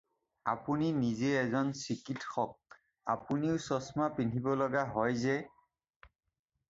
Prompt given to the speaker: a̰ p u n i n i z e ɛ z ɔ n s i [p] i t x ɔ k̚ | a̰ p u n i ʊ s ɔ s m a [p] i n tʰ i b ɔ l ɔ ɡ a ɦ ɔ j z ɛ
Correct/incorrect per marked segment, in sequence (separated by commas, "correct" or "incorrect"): incorrect, correct